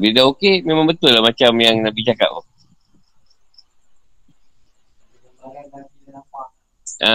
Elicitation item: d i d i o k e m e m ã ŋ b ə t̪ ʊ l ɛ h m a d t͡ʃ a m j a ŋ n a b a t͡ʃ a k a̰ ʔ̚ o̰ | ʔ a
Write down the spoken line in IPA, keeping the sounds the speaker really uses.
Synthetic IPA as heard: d i d a o k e m e m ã ŋ b ə t̪ ʊ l a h m a t͡ʃ a m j a ŋ n a b i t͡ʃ a k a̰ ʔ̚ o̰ | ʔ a